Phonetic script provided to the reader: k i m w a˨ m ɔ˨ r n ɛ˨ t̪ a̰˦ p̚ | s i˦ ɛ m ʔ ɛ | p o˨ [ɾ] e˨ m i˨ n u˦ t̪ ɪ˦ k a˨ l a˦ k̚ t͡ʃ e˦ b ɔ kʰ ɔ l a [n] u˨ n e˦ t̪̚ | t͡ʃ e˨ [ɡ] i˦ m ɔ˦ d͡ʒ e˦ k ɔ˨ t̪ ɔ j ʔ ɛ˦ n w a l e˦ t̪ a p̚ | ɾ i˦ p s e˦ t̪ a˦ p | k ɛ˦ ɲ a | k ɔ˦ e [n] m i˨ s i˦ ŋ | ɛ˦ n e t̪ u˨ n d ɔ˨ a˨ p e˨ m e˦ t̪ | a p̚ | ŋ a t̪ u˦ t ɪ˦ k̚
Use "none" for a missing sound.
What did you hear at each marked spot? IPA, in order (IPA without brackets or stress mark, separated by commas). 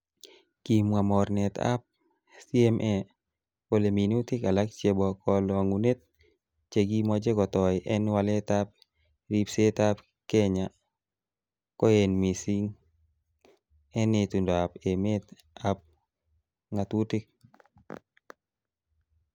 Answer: l, ŋ, ɡ, n